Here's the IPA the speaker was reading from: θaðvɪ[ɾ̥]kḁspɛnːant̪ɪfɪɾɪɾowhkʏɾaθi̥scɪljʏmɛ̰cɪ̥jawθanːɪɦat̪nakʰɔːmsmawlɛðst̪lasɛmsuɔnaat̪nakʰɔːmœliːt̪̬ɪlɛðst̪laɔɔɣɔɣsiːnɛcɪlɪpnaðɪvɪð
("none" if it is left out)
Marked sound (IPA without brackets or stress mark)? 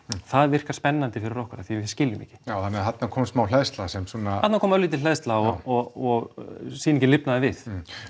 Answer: r̥